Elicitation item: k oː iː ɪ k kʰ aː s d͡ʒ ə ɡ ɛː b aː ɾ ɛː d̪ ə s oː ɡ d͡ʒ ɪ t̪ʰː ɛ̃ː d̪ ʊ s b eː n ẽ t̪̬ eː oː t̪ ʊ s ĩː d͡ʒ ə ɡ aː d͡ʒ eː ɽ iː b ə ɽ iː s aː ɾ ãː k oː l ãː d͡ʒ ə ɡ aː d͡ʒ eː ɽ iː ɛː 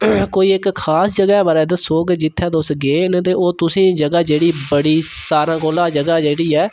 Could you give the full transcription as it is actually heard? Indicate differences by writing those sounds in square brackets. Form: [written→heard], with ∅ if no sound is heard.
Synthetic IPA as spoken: k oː iː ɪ k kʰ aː s d͡ʒ ə ɡ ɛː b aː ɾ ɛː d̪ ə s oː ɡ d͡ʒ ɪ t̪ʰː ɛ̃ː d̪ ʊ s [b→ɡ] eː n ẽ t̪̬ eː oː t̪ ʊ s ĩː d͡ʒ ə ɡ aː d͡ʒ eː ɽ iː b ə ɽ iː s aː ɾ ãː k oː l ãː d͡ʒ ə ɡ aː d͡ʒ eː ɽ iː ɛː